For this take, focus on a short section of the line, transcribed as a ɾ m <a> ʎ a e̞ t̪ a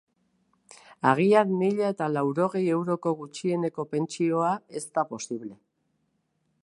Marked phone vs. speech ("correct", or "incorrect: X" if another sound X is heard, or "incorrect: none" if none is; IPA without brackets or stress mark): incorrect: i